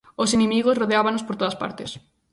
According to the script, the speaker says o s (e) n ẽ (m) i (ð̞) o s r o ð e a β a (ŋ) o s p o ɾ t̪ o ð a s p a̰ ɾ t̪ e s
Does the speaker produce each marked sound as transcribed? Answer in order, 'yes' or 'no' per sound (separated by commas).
yes, yes, no, no